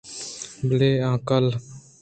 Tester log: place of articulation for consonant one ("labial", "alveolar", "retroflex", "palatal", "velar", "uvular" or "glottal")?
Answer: labial